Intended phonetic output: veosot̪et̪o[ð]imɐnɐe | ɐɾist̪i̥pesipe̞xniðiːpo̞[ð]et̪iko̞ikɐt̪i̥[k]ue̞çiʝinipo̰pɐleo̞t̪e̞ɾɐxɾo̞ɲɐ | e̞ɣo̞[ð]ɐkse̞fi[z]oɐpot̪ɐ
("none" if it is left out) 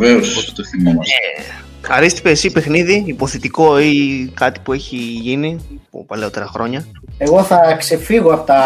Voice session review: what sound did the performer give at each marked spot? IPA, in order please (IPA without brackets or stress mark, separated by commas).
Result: θ, θ, p, θ, ɣ